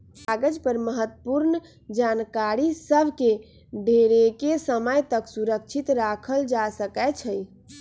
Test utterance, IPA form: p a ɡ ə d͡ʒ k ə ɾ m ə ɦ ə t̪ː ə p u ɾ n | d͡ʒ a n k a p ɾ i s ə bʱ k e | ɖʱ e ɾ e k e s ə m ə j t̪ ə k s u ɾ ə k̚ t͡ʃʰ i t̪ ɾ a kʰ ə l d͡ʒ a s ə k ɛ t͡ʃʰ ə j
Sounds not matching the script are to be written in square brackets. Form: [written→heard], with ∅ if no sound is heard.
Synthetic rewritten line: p a ɡ ə d͡ʒ [k→p] ə ɾ m ə ɦ ə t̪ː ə p u ɾ n | d͡ʒ a n k a [p→∅] ɾ i s ə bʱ k e | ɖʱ e ɾ e k e s ə m ə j t̪ ə k s u ɾ ə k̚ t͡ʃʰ i t̪ ɾ a kʰ ə l d͡ʒ a s ə k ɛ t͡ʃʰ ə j